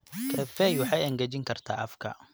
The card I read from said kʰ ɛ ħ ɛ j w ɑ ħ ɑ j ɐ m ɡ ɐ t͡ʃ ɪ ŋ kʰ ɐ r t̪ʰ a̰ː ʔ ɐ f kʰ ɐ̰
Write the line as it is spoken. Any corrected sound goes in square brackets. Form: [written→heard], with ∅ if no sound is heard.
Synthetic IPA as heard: kʰ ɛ [ħ→f] ɛ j w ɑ ħ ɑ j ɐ [m→ŋ] ɡ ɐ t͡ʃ ɪ ŋ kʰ ɐ r t̪ʰ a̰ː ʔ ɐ f kʰ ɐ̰